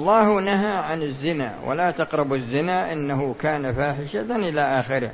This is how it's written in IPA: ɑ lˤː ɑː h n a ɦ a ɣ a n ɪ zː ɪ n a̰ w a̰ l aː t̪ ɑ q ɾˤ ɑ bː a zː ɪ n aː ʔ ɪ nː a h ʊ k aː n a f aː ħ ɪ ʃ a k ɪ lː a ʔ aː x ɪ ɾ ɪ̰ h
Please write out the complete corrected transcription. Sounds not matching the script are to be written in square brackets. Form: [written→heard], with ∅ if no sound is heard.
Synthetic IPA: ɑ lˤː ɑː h n a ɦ a [ɣ→ʕ] a n ɪ zː ɪ n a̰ w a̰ l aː t̪ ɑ q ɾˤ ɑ [bː→b] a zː ɪ n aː ʔ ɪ nː a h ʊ k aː n a f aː ħ ɪ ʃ a [k→ʔ] ɪ [lː→l] a ʔ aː x ɪ ɾ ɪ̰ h